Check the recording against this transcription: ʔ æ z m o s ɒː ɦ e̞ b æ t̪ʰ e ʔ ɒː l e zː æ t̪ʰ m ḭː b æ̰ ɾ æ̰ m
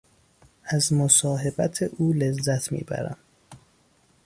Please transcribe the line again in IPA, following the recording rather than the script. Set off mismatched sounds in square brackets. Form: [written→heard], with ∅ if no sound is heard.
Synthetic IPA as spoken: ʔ æ z m o s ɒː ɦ e̞ b æ t̪ʰ e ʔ [ɒː→uː] l e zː æ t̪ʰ m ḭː b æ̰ ɾ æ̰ m